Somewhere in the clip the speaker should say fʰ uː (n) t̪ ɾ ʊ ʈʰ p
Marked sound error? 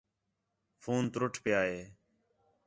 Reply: no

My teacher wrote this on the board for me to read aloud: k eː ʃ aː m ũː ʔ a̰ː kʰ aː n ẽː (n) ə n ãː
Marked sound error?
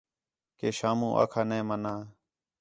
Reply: yes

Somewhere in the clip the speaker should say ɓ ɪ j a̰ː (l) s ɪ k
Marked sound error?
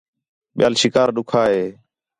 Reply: no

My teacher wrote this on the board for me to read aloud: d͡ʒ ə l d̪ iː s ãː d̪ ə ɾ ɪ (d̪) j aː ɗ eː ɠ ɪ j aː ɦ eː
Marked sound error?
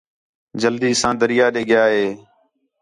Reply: yes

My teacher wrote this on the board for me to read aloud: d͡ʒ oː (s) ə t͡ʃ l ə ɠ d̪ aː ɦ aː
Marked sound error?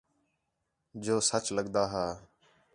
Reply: no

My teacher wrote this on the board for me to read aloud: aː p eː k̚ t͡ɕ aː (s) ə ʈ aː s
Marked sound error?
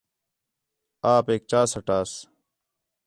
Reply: no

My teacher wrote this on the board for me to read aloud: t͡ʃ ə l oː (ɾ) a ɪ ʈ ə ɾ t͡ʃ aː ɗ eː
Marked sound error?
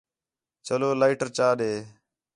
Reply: yes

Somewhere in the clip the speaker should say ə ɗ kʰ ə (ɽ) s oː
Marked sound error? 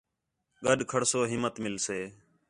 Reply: no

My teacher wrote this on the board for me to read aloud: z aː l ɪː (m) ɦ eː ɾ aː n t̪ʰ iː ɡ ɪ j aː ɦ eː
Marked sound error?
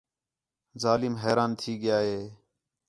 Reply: no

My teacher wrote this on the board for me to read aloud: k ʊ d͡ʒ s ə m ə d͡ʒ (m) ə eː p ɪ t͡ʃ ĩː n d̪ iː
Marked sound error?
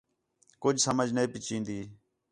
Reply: yes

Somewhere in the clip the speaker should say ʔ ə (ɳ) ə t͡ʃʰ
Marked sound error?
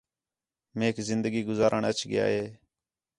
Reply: no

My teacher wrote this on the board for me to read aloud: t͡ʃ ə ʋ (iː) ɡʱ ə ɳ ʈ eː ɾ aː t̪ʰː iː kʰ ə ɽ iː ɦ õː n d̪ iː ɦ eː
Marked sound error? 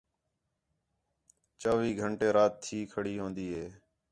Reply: no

